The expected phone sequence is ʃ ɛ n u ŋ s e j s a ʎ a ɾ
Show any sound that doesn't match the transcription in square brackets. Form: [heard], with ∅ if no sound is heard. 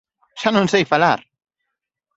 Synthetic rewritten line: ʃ [a] n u [n] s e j [f] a [l] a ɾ